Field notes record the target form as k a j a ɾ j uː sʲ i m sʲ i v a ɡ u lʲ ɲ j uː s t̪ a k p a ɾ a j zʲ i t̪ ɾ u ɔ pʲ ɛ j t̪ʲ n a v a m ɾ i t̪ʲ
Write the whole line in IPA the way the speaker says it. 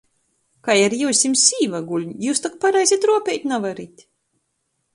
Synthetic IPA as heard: k a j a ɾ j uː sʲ i m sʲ iː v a ɡ u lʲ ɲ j uː s t̪ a k p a ɾ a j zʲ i t̪ ɾ u ɔ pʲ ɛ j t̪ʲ n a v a ɾ i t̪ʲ